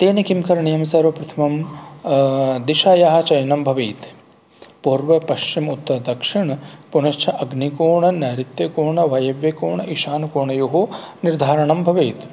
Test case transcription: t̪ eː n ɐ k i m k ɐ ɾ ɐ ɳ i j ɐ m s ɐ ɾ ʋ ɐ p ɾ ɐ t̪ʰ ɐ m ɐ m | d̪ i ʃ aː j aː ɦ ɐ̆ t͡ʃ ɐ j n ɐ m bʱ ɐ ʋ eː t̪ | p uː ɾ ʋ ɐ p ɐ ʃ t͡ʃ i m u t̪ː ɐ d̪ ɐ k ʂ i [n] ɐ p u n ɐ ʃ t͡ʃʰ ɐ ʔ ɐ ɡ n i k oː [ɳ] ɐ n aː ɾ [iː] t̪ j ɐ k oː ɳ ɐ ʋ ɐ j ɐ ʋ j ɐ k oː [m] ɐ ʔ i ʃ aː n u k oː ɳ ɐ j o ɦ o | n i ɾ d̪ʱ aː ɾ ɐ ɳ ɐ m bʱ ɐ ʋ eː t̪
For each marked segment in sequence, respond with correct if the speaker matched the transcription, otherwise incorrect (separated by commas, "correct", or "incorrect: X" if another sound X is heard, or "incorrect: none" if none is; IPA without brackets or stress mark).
incorrect: ɳ, correct, incorrect: i, incorrect: ɳ